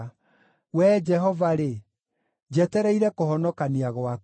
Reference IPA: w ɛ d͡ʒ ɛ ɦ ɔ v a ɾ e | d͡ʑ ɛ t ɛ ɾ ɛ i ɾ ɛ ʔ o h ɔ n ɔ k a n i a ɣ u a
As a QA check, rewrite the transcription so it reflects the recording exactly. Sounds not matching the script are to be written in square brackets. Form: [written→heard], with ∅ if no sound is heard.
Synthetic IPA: w ɛ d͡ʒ ɛ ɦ ɔ v a ɾ e | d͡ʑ ɛ t ɛ ɾ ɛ i ɾ ɛ [ʔ→k] o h ɔ n ɔ k a n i a ɣ [u→w] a